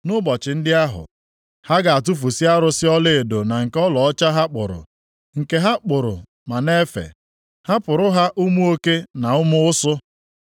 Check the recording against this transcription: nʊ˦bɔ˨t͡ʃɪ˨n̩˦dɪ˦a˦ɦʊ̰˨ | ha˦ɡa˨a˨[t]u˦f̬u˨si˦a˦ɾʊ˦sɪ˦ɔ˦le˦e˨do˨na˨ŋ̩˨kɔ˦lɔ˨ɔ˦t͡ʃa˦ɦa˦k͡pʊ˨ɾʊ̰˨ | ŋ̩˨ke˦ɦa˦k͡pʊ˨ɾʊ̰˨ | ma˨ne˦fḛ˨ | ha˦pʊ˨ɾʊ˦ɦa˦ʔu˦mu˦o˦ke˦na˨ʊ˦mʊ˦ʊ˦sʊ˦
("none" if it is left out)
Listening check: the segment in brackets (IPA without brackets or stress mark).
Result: t